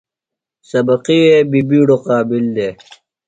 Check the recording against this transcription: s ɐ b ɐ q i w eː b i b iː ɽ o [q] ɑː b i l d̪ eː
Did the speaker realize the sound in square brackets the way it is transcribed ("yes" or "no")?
yes